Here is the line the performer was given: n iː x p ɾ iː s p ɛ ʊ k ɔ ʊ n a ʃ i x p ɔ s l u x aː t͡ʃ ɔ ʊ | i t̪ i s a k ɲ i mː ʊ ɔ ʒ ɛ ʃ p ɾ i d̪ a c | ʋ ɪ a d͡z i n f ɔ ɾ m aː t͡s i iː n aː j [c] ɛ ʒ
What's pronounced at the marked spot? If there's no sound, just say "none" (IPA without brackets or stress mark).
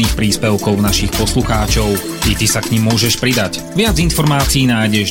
ɟ